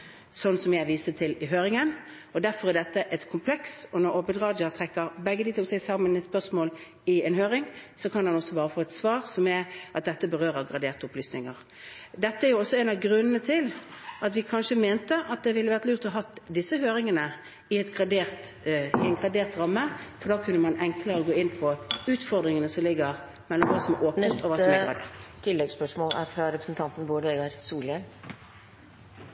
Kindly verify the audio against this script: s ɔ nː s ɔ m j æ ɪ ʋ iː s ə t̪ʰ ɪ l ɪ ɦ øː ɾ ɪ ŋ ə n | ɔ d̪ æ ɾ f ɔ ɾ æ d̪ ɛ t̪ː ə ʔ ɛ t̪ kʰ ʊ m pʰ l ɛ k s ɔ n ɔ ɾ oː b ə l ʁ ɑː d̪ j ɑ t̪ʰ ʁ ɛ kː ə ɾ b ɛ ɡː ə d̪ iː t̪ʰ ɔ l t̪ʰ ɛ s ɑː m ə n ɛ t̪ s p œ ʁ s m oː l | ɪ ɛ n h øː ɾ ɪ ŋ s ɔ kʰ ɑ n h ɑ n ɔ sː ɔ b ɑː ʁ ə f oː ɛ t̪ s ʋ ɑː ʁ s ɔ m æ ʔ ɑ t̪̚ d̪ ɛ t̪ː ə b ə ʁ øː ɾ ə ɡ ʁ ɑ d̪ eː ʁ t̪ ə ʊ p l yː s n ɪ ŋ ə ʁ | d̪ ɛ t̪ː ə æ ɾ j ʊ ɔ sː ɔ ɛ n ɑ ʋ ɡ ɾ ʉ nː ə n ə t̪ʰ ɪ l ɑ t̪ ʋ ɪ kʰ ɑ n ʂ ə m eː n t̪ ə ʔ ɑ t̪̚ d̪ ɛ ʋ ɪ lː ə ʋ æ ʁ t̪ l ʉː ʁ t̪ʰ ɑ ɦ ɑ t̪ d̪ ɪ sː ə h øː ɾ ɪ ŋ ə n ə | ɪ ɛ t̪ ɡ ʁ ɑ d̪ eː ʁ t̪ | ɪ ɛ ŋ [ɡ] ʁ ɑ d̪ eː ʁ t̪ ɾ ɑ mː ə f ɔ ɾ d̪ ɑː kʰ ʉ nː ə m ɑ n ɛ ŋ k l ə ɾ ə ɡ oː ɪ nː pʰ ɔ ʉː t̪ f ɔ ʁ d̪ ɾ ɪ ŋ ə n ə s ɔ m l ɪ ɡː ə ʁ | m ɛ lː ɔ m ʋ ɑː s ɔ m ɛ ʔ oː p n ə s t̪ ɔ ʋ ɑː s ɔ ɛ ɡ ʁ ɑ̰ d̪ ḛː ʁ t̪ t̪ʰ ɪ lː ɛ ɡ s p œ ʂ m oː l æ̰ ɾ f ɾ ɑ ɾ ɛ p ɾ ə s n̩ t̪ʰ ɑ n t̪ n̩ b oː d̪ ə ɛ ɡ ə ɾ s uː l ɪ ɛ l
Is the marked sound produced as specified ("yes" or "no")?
yes